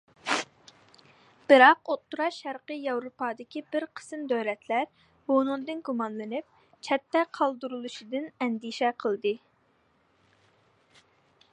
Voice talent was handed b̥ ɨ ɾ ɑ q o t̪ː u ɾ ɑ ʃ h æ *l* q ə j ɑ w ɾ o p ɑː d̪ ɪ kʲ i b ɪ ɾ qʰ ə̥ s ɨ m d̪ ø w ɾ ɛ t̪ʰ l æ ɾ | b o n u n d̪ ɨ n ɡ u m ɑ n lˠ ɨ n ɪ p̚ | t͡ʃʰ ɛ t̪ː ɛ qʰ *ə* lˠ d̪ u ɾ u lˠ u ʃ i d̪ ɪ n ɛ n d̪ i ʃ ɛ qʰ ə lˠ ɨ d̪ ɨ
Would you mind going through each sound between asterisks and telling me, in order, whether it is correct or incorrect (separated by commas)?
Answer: incorrect, incorrect